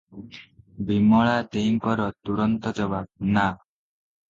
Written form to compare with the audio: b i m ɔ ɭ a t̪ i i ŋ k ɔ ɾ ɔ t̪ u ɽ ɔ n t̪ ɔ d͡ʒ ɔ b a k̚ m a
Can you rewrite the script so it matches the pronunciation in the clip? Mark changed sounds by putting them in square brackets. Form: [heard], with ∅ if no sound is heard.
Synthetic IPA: b i m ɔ ɭ a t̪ [e] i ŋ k ɔ ɾ ɔ t̪ u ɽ ɔ n t̪ ɔ d͡ʒ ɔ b a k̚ [n] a